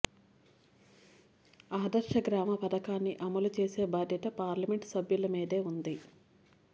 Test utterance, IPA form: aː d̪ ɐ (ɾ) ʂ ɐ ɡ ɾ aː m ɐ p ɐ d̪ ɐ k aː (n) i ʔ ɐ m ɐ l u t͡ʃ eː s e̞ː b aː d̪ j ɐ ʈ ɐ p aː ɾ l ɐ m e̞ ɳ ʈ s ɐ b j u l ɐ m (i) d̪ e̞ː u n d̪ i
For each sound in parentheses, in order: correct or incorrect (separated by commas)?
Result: correct, incorrect, incorrect